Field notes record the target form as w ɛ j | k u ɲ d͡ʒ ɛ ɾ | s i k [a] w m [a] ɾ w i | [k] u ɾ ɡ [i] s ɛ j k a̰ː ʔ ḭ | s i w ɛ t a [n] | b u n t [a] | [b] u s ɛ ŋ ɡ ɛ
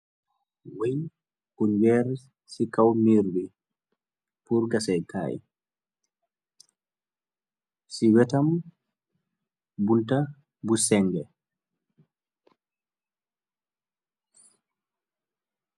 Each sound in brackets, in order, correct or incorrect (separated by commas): correct, incorrect, incorrect, incorrect, incorrect, correct, correct